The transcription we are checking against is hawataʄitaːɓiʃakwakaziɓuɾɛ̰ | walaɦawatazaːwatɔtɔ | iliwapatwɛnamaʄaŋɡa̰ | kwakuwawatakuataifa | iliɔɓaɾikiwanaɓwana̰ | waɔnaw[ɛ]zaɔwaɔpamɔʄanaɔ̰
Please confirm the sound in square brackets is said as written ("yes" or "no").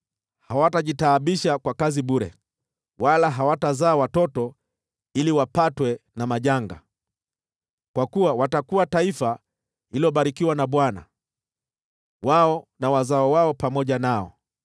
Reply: no